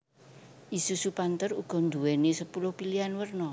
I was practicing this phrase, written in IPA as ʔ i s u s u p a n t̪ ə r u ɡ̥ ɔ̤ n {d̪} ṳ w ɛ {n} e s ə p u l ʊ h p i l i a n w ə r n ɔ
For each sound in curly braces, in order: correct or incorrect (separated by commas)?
correct, correct